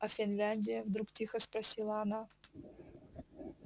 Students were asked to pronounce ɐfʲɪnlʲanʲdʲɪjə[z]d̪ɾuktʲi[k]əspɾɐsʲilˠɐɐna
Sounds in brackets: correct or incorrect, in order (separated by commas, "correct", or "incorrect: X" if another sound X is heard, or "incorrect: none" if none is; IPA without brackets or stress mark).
incorrect: v, incorrect: x